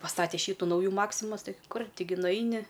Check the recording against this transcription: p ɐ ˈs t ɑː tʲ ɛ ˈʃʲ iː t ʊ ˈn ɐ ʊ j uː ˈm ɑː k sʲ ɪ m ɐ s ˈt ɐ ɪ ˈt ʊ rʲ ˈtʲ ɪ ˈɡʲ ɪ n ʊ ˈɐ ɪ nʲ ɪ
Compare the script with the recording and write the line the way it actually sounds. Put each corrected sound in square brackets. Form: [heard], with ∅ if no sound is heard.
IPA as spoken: p ɐ ˈs t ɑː tʲ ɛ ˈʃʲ iː t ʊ ˈn ɐ ʊ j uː ˈm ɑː k sʲ ɪ m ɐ s ˈt ɐ ɪ [ˈk] ʊ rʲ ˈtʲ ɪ ˈɡʲ ɪ n ʊ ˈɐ ɪ nʲ ɪ